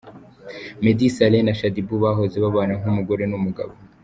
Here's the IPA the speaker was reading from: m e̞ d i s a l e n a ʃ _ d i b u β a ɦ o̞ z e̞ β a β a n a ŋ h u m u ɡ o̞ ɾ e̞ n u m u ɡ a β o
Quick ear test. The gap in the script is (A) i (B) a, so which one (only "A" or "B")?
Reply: B